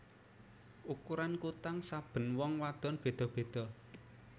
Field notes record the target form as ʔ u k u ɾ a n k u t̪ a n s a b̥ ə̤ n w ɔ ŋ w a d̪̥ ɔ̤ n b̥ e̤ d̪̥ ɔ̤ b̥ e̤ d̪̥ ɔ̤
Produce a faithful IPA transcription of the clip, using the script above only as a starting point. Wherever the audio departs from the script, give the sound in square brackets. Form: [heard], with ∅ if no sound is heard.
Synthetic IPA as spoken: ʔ u k u ɾ a n k u t̪ a [ŋ] s a b̥ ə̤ n w ɔ ŋ w a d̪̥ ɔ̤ n b̥ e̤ d̪̥ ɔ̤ b̥ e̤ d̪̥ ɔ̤